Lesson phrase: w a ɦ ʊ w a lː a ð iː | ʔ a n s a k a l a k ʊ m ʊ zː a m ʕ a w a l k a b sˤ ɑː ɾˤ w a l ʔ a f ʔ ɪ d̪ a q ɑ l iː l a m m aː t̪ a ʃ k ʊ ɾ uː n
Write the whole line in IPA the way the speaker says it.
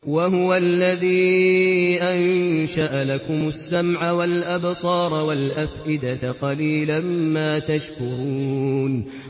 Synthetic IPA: w a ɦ ʊ w a lː a ð iː | ʔ a n ʃ a ʔ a l a k ʊ m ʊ sː a m ʕ a w a l ʔ a b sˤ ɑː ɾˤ w a l ʔ a f ʔ ɪ d̪ a q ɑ l iː l a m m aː t̪ a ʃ k ʊ ɾ uː n